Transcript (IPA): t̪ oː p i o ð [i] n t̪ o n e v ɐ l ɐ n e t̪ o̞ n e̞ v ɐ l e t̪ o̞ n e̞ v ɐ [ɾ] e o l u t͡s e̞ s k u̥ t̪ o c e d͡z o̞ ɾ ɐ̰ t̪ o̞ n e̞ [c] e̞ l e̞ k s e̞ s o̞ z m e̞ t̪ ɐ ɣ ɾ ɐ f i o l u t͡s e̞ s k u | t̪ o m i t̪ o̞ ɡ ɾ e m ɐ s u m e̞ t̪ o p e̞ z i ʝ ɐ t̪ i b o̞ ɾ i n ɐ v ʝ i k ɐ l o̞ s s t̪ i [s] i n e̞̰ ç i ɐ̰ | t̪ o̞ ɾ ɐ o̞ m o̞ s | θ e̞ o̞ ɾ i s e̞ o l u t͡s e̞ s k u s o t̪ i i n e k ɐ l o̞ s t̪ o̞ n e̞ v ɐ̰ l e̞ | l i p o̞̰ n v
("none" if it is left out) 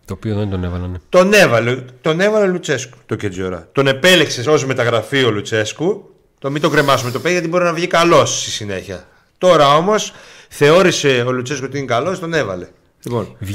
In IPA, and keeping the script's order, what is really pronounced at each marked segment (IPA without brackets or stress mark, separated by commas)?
e, l, p, s